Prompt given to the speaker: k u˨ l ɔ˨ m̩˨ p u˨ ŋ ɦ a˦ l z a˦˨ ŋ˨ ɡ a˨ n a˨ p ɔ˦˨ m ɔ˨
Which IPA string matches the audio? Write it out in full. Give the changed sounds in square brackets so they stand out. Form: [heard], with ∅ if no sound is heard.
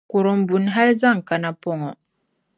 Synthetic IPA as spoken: k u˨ [ɾ] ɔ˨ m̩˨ [b] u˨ [n] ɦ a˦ l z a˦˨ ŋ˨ [k] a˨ n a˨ p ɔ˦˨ [ŋ] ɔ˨

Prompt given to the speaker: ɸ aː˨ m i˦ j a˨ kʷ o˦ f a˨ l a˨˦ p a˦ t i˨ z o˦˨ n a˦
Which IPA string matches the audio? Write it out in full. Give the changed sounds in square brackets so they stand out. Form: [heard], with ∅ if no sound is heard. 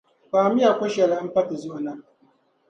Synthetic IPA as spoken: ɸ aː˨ m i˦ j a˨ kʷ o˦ [ʃ] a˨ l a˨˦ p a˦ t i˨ z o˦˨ n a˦

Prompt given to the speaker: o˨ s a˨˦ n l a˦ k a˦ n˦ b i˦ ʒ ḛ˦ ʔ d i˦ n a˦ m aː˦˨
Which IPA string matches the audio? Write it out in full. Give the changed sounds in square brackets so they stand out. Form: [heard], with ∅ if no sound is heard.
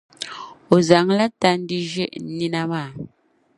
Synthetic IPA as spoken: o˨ [z] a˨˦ [ŋ] l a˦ [t] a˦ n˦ [d] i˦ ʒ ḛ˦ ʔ [n] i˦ n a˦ m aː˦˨

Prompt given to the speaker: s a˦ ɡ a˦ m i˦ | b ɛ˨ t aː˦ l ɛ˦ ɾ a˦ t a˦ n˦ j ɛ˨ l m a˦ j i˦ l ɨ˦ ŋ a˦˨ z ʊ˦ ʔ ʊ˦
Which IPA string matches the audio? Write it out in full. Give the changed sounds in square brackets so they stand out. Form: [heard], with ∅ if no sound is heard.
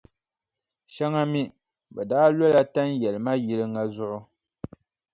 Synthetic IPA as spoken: [ʃ] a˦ [ŋ] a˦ m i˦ | b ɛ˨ [d] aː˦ l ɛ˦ [l] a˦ t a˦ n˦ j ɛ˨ l m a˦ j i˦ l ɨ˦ ŋ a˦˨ z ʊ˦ ʔ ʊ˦

